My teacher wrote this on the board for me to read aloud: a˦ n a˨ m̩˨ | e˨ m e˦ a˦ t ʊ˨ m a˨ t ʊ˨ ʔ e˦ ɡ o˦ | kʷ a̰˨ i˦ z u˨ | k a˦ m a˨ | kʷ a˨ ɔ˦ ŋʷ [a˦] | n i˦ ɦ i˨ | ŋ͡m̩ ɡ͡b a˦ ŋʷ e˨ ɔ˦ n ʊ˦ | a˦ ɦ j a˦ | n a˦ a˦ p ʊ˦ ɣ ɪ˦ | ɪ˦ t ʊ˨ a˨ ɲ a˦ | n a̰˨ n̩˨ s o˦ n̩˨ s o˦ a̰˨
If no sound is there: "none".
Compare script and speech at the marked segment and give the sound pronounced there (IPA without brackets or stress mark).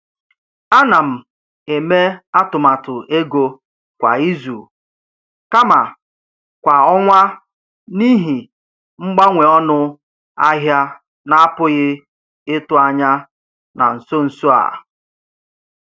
a˦